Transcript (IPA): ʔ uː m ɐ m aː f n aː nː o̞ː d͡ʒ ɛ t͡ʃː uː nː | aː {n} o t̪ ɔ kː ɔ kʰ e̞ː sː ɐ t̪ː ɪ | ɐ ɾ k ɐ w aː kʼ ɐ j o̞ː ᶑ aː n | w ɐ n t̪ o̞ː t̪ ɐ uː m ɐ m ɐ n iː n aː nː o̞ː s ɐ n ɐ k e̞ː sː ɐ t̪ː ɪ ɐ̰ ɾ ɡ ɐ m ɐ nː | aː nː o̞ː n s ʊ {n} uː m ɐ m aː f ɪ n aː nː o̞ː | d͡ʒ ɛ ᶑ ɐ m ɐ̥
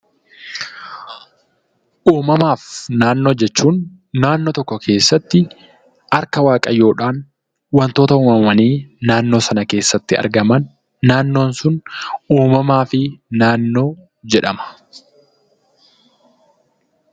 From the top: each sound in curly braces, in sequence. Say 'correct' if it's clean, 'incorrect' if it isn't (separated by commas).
incorrect, correct